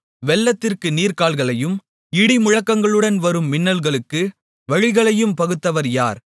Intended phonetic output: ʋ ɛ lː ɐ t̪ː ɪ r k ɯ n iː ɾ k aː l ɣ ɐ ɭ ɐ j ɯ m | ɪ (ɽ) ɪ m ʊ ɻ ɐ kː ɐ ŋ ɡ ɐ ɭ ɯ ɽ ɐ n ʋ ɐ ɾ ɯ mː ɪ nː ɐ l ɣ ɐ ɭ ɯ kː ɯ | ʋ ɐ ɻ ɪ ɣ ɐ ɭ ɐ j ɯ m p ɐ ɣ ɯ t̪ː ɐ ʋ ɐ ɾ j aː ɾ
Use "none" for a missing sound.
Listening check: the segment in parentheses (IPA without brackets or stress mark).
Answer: ɽ